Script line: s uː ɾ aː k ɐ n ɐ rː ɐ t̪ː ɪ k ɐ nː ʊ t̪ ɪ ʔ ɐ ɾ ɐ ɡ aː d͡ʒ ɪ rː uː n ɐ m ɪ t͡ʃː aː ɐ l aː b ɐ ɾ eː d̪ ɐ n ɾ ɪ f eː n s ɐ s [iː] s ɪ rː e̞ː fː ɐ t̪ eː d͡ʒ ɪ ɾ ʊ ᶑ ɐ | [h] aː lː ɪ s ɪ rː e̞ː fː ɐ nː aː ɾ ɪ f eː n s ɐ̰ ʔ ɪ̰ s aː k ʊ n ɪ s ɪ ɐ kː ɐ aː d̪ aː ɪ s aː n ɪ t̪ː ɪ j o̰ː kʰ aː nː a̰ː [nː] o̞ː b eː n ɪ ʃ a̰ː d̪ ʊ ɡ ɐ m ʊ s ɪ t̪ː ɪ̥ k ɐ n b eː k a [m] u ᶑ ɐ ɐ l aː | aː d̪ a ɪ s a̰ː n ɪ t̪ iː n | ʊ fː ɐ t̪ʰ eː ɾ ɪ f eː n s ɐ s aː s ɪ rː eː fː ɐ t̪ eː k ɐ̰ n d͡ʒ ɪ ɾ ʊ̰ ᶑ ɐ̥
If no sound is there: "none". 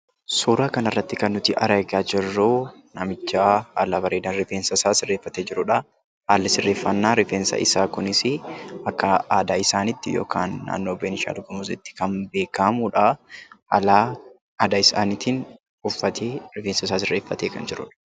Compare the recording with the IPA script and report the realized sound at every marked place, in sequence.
aː, h, nː, m

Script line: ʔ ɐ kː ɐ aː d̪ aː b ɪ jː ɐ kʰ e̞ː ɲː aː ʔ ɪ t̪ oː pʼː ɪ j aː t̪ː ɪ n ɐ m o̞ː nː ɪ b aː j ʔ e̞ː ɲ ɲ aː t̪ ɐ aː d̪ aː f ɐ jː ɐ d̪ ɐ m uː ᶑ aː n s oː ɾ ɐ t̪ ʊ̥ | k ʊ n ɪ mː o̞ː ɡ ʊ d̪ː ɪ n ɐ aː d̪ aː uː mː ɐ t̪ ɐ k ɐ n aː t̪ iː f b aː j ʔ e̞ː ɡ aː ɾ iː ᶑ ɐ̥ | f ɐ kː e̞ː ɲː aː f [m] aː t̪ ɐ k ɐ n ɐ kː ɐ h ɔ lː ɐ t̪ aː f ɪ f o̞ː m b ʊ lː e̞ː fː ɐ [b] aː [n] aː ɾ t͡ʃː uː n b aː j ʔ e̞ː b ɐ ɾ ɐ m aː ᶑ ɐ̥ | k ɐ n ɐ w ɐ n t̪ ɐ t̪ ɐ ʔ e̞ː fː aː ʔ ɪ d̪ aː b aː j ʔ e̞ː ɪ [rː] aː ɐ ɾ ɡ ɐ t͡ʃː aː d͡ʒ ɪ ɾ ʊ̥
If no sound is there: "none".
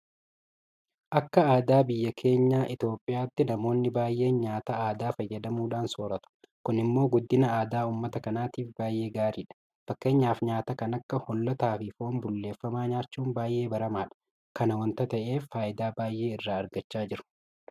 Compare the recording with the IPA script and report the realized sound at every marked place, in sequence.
ɲ, m, ɲ, rː

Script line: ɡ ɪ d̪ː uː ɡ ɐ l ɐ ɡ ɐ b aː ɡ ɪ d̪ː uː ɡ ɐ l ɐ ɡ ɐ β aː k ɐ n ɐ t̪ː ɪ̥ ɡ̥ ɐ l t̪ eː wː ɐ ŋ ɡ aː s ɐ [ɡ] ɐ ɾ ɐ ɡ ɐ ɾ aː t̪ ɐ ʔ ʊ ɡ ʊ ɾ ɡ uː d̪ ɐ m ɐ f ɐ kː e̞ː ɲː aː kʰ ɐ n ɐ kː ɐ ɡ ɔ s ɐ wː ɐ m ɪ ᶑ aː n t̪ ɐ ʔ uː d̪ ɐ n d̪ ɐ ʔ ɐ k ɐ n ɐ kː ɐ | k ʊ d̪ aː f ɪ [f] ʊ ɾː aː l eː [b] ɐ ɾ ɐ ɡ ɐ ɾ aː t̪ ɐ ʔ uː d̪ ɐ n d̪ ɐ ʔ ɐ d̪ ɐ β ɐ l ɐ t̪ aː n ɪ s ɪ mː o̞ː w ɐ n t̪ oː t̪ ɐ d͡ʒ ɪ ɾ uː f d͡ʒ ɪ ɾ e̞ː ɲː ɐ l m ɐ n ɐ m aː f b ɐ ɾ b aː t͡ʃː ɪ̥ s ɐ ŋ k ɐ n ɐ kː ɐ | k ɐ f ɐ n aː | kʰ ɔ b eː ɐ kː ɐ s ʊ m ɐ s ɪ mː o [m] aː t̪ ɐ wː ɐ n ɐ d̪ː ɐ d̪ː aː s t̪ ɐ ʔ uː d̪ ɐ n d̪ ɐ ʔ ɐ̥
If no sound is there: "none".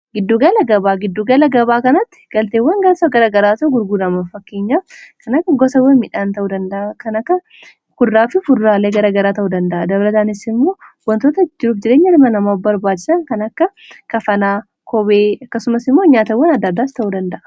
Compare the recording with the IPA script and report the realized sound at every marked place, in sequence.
ɡ, f, ɡ, ɲ

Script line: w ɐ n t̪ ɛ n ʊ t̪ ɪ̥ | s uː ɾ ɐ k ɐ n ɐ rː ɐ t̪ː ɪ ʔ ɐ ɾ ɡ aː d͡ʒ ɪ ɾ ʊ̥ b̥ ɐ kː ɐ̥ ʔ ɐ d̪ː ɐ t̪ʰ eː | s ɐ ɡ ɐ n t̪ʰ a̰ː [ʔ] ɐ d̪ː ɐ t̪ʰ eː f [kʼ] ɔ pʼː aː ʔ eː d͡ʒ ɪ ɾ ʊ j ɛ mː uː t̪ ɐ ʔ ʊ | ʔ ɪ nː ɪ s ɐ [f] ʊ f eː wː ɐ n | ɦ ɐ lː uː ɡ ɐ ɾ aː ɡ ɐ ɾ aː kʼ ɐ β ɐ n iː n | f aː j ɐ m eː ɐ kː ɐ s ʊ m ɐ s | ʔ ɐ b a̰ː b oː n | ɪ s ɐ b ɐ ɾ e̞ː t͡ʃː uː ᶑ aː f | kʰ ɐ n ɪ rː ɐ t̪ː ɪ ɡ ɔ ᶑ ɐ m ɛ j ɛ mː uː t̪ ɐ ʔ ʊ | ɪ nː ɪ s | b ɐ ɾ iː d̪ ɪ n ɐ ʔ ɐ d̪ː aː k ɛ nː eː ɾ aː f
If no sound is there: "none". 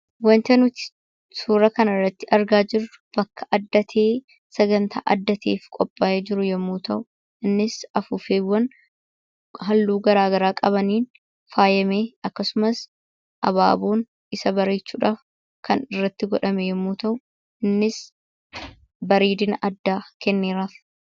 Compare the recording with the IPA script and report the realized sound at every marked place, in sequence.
ʔ, kʼ, f

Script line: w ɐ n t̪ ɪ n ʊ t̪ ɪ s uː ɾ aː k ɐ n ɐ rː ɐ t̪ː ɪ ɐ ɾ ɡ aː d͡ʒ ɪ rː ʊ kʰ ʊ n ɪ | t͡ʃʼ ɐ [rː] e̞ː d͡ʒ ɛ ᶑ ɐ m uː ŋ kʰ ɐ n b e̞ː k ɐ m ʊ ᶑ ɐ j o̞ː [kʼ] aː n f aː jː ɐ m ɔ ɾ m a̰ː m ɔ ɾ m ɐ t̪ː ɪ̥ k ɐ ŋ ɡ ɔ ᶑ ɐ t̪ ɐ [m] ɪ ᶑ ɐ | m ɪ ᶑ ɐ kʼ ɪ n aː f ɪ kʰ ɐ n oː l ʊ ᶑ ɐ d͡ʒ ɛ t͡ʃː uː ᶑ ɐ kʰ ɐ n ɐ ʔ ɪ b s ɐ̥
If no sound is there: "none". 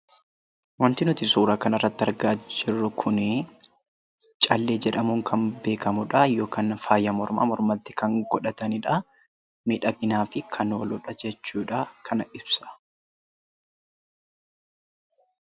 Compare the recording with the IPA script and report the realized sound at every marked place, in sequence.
lː, k, n

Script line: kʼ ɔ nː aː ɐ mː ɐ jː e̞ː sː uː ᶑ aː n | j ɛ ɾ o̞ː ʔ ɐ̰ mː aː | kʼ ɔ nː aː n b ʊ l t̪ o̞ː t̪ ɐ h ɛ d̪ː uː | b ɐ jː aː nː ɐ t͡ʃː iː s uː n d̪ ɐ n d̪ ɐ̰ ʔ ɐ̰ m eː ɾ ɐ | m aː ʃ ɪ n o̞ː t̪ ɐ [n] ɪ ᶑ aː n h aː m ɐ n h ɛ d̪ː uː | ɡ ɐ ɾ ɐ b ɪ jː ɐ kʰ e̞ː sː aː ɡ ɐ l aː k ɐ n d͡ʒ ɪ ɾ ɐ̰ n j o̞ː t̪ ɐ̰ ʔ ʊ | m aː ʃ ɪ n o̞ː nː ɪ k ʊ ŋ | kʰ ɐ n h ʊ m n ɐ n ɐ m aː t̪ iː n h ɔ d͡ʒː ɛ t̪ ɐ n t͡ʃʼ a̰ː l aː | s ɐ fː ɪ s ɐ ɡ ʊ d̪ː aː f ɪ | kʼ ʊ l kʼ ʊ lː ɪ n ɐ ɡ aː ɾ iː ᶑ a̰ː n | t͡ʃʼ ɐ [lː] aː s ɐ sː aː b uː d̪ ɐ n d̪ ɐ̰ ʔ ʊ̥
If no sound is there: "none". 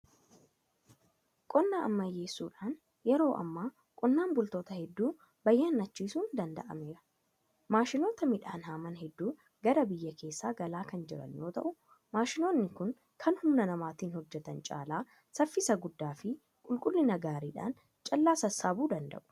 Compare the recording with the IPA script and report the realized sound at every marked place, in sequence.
m, lː

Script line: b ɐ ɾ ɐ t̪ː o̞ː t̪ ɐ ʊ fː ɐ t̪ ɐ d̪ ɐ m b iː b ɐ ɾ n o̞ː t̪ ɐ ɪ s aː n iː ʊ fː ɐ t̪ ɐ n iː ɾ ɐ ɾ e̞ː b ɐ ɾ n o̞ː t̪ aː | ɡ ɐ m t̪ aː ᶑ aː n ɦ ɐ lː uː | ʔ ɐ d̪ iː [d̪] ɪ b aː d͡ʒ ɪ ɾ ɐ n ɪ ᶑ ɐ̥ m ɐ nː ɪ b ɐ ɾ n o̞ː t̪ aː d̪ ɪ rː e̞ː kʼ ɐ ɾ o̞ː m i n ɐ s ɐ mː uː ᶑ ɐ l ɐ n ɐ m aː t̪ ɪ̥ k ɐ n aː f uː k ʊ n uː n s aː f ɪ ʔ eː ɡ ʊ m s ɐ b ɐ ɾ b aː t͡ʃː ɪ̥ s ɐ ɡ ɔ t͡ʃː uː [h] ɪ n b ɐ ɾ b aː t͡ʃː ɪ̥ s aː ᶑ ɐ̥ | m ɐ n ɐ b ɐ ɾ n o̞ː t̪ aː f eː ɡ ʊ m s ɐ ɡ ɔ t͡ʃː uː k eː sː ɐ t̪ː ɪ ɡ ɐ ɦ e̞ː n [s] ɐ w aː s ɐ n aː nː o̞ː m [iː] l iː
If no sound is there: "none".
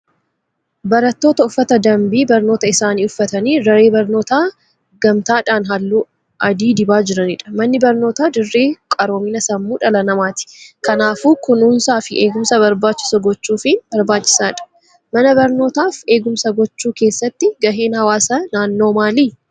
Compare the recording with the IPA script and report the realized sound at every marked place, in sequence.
d̪, f, h, aː

